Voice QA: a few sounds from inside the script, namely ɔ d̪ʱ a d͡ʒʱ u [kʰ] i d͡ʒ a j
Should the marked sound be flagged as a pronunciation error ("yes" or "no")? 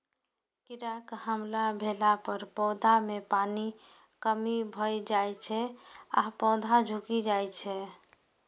yes